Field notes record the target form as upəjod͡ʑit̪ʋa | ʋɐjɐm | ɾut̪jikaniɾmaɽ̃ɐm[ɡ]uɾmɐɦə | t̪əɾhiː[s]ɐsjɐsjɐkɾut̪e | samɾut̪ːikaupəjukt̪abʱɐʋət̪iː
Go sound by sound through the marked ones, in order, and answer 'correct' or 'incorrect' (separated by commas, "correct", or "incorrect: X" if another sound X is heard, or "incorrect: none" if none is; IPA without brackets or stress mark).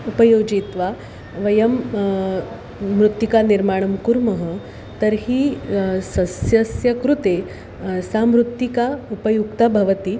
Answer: incorrect: k, correct